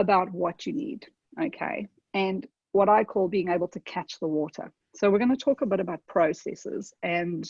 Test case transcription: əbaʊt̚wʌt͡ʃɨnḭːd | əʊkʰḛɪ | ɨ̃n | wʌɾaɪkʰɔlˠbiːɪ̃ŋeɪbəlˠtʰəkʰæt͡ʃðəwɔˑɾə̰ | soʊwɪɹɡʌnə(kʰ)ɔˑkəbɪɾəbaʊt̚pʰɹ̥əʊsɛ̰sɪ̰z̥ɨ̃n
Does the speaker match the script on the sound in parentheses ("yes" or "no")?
no